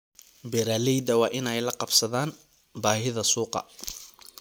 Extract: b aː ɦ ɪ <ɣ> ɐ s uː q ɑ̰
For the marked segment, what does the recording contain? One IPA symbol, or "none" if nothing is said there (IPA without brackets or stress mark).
ð